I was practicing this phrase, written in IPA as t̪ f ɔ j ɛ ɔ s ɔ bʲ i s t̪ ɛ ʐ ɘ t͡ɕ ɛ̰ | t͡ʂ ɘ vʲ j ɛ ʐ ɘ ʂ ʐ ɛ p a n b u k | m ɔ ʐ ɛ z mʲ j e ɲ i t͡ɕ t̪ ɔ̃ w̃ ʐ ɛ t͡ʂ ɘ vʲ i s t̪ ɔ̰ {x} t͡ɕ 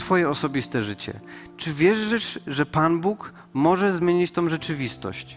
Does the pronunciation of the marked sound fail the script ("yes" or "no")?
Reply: yes